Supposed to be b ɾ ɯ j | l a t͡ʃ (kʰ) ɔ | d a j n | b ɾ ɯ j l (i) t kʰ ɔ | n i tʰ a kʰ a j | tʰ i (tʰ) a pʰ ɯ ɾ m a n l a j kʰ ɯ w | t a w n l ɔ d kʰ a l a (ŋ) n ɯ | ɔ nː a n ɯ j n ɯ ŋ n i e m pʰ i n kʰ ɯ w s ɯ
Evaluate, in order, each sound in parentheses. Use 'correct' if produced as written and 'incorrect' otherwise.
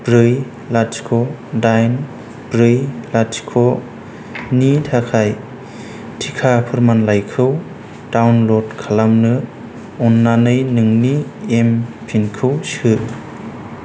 correct, incorrect: a, incorrect: kʰ, incorrect: m

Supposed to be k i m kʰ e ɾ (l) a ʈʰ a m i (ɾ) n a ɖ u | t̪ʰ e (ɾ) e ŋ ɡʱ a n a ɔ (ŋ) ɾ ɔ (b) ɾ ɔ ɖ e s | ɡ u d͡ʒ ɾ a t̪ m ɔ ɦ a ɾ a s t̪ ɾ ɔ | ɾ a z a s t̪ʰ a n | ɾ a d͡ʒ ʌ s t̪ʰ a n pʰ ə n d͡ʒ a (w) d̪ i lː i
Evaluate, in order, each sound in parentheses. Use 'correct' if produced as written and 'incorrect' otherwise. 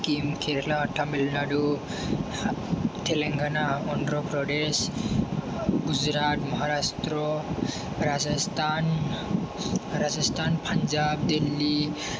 correct, incorrect: l, incorrect: l, incorrect: n, incorrect: p, incorrect: b

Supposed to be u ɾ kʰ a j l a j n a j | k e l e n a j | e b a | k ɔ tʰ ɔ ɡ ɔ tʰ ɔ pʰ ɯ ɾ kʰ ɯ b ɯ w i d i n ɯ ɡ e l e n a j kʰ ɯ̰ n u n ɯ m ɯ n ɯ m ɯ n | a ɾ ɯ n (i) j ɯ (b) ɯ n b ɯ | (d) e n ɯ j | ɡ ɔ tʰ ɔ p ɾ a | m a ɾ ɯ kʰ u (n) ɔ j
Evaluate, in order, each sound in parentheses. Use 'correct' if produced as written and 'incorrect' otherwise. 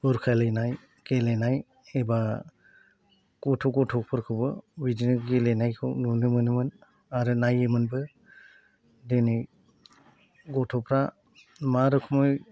incorrect: a, incorrect: m, correct, incorrect: m

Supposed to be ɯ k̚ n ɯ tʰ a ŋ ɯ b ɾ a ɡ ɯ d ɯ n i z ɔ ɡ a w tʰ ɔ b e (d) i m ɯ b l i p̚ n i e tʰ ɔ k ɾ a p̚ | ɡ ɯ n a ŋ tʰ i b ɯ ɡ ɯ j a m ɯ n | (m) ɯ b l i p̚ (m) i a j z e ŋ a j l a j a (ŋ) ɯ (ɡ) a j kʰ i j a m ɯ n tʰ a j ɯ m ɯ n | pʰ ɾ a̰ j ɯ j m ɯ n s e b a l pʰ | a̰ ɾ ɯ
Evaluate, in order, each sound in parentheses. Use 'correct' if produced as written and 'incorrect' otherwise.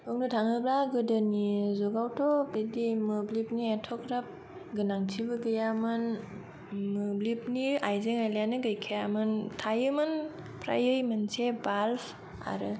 correct, correct, incorrect: n, incorrect: n, correct

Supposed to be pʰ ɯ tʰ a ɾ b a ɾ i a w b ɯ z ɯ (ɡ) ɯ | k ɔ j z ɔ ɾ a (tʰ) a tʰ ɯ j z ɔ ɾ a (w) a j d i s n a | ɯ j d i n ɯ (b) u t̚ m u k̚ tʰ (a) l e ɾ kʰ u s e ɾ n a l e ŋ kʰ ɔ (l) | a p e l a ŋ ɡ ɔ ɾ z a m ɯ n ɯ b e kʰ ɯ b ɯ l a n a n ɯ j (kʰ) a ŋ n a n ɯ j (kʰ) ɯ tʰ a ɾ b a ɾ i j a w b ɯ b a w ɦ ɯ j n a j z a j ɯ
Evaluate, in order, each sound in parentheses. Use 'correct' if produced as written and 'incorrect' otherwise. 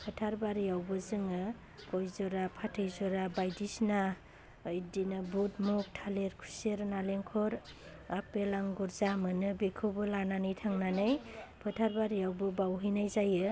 incorrect: ŋ, incorrect: pʰ, incorrect: b, correct, correct, incorrect: ɾ, incorrect: tʰ, incorrect: pʰ

